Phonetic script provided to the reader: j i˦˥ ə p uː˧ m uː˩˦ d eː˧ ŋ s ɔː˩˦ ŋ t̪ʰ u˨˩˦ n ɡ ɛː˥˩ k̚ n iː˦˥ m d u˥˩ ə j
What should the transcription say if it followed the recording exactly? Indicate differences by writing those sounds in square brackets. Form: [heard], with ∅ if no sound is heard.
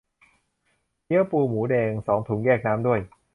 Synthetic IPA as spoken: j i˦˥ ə p uː˧ m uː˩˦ d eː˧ ŋ s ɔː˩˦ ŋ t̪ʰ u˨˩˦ [ŋ] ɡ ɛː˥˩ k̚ n [aː˦˥] m d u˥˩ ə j